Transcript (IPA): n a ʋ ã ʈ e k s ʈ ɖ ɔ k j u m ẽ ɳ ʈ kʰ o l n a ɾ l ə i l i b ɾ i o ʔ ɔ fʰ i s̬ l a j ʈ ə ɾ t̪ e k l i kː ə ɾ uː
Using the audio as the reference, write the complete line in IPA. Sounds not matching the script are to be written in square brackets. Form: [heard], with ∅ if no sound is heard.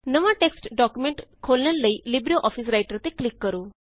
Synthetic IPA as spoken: n [ə] ʋ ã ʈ e k s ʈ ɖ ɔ k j u m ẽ ɳ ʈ kʰ o l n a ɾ l ə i l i b ɾ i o ʔ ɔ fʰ i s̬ [ɾ] a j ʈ ə ɾ t̪ e k l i kː ə ɾ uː

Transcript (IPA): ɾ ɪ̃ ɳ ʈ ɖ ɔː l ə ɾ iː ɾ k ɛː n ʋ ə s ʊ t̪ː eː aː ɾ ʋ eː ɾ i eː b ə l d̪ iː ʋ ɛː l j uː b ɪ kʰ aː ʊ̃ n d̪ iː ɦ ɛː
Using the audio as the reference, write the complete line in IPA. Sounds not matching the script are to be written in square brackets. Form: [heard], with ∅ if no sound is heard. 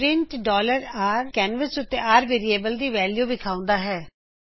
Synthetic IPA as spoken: ɾ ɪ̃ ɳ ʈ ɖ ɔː l ə ɾ [aː] ɾ k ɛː n ʋ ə s ʊ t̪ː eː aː ɾ ʋ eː ɾ i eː b ə l d̪ iː ʋ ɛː l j uː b ɪ kʰ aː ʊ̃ n d̪ [aː] ɦ ɛː

